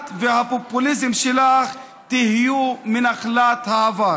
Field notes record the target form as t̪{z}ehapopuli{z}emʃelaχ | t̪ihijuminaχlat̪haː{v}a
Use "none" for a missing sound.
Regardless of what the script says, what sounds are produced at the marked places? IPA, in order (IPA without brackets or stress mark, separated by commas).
v, z, v